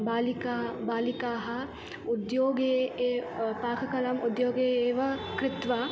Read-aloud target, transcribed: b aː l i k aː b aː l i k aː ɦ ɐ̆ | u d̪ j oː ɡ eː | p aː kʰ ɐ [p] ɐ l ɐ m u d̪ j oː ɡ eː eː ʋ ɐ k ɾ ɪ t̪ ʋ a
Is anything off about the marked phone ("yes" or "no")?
yes